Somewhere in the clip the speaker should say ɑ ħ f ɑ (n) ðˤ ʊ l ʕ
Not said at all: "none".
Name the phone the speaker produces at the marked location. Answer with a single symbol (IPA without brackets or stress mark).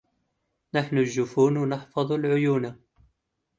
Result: none